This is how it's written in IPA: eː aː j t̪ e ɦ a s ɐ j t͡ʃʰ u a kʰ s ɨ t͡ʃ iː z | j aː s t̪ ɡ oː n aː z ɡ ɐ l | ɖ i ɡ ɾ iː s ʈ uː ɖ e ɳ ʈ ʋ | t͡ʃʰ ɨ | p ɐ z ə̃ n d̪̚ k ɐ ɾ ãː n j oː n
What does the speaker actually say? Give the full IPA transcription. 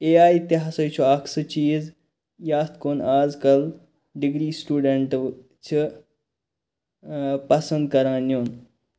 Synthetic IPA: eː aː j t̪ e ɦ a s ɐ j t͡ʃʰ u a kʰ s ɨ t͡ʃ iː z | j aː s t̪ k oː n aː z k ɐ l | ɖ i ɡ ɾ iː s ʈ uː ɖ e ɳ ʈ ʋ | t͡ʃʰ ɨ | p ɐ s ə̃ n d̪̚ k ɐ ɾ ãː n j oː n

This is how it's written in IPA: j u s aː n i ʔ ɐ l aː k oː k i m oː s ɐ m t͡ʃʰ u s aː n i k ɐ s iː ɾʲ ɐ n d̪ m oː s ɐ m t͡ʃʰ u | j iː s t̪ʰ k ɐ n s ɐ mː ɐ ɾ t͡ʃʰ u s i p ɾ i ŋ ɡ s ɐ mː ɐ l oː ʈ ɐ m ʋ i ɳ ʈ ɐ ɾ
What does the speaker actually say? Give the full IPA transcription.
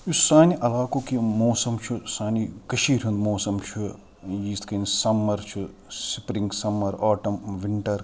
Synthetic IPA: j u s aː n i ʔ ɐ l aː k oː k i m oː s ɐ m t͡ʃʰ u s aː n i k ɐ ʃ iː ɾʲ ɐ n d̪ m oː s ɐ m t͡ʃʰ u | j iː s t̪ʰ k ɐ n s ɐ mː ɐ ɾ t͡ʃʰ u s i p ɾ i ŋ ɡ s ɐ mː ɐ ɾ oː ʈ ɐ m ʋ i ɳ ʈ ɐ ɾ

